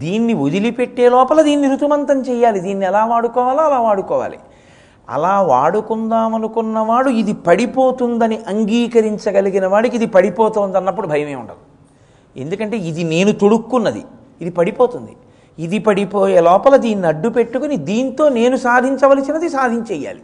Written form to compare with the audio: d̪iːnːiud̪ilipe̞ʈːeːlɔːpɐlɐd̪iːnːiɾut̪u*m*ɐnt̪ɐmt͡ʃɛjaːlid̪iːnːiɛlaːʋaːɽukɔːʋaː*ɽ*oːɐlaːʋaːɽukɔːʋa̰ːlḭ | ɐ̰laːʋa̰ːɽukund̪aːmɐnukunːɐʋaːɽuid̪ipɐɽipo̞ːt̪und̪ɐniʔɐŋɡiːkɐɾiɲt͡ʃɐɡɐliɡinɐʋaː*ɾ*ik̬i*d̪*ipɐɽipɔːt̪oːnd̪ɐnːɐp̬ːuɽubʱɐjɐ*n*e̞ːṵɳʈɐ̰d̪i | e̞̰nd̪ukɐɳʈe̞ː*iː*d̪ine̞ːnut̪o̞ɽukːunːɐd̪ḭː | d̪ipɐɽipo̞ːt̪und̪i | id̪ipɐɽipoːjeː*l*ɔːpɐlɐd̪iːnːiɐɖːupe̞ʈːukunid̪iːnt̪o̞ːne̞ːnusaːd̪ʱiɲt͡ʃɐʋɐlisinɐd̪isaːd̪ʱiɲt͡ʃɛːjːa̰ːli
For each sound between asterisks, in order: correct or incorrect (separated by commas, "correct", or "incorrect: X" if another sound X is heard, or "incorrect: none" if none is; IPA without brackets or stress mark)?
correct, incorrect: l, incorrect: ɽ, correct, incorrect: m, incorrect: i, correct